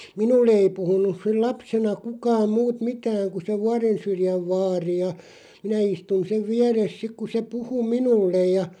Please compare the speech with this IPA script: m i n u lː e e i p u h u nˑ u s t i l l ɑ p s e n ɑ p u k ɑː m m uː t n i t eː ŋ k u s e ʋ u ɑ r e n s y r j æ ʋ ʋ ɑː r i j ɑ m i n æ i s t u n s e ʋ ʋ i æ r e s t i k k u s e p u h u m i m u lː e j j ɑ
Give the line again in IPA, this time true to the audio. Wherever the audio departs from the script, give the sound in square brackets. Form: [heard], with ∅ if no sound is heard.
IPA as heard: m i n u lː e e i p u h u nˑ u s [s] i l l ɑ p s e n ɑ [k] u k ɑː m m uː t [m] i t [æː] ŋ k u s e ʋ u ɑ r e n s y r j æ ʋ ʋ ɑː r i j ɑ m i n æ i s t u n s e ʋ ʋ i æ r e s [s] i k k u s e p u h u m i [n] u lː e j j ɑ